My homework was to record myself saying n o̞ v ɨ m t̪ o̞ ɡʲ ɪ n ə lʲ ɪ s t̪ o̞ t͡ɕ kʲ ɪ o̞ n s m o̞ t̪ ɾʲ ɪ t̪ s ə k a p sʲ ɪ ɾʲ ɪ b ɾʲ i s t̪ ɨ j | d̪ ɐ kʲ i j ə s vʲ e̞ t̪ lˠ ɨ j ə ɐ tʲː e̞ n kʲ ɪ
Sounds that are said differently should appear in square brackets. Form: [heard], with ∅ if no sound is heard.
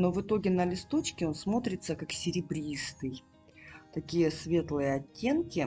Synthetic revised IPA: n o̞ v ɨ [∅] t̪ o̞ ɡʲ ɪ n ə lʲ ɪ s t̪ o̞ t͡ɕ kʲ ɪ o̞ n s m o̞ t̪ ɾʲ ɪ t̪ s ə k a [k] sʲ ɪ ɾʲ ɪ b ɾʲ i s t̪ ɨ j | [t̪] ɐ kʲ i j ə s vʲ e̞ t̪ lˠ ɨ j ə ɐ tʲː e̞ n kʲ ɪ

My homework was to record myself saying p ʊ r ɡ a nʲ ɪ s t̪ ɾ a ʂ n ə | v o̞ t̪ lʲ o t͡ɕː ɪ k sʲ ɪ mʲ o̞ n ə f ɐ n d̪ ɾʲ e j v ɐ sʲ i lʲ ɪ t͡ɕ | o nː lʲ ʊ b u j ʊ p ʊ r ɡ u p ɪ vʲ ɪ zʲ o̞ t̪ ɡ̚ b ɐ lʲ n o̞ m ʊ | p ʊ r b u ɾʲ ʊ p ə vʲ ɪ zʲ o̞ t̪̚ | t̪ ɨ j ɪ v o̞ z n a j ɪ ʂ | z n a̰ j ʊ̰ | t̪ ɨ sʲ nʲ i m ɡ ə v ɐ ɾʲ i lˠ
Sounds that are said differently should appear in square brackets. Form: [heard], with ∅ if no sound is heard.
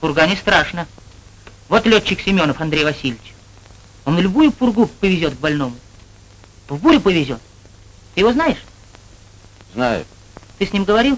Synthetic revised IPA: p ʊ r ɡ a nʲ ɪ s t̪ ɾ a ʂ n ə | v o̞ t̪ lʲ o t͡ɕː ɪ k sʲ ɪ mʲ o̞ n ə f ɐ n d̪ ɾʲ e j v ɐ sʲ i lʲ ɪ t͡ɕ | o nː lʲ ʊ b u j ʊ p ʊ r ɡ u p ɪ vʲ ɪ zʲ o̞ t̪ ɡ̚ b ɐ lʲ n o̞ m ʊ | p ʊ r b u ɾʲ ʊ p ə vʲ ɪ zʲ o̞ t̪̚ | t̪ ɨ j ɪ v o̞ z n a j ɪ ʂ | z n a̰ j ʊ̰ | t̪ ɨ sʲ nʲ i m ɡ ə v ɐ ɾʲ i lˠ

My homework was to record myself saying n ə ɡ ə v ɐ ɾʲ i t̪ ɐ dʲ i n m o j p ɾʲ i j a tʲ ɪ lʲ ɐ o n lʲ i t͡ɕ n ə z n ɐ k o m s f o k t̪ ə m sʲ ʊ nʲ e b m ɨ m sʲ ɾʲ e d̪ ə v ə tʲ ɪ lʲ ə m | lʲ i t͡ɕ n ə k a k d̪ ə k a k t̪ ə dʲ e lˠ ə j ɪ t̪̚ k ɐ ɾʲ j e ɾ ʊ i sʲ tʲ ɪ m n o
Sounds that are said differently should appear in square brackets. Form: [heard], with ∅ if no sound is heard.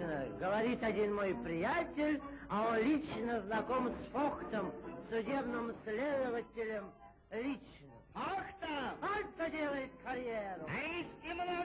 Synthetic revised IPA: n ə ɡ ə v ɐ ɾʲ i t̪ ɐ dʲ i n m o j p ɾʲ [ɪ] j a tʲ ɪ lʲ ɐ o n lʲ i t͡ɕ n ə z n ɐ k o m s f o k t̪ ə m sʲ ʊ [dʲ] e b [n] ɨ m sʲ [lʲ] e d̪ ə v ə tʲ ɪ lʲ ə m | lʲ i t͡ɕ n ə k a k [t̪] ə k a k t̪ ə dʲ e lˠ ə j ɪ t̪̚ k ɐ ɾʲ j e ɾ ʊ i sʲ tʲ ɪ m n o

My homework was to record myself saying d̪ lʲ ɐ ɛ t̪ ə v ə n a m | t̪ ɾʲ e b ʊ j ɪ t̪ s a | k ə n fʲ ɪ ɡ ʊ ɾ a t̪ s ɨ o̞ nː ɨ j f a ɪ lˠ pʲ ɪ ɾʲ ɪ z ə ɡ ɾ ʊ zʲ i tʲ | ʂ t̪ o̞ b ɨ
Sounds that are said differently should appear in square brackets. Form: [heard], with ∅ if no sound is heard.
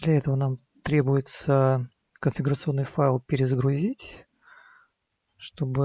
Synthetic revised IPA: d̪ lʲ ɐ ɛ t̪ ə v ə n a m | t̪ ɾʲ e b ʊ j ɪ t̪ s [ə] | k ə n fʲ ɪ ɡ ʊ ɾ [ə] t̪ s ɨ o̞ nː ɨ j f a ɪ lˠ pʲ ɪ ɾʲ ɪ z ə ɡ ɾ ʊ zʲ i tʲ | ʂ t̪ o̞ b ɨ

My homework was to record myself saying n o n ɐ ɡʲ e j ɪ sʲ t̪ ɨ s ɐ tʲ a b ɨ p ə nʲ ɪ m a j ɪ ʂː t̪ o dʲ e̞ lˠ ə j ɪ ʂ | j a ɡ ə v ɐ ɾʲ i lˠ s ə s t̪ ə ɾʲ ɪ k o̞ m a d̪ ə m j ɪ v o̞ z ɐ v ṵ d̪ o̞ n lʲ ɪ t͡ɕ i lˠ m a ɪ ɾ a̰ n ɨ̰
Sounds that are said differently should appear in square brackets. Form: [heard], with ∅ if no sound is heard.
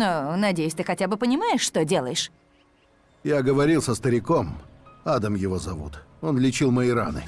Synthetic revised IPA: n o n ɐ [dʲ] e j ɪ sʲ t̪ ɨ [x] ɐ tʲ a b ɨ p ə nʲ ɪ m a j ɪ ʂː t̪ o dʲ e̞ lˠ ə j ɪ ʂ | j a ɡ ə v ɐ ɾʲ i lˠ s ə s t̪ ə ɾʲ ɪ k o̞ m a d̪ ə m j ɪ v o̞ z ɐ v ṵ [t̪] o̞ n lʲ ɪ t͡ɕ i lˠ m [ə] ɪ ɾ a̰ n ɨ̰

